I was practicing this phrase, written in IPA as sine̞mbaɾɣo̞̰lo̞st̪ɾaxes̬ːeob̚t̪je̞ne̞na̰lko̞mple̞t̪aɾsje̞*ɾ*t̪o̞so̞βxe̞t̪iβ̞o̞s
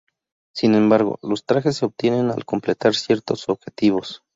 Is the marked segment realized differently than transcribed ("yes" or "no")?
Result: no